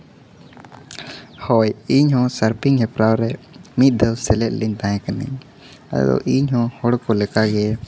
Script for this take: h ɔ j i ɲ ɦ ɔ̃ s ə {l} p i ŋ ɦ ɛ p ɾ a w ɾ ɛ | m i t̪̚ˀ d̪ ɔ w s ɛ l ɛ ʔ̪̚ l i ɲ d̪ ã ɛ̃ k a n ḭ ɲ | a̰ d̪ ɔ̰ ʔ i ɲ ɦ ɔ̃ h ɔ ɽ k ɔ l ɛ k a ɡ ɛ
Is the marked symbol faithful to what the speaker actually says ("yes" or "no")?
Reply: no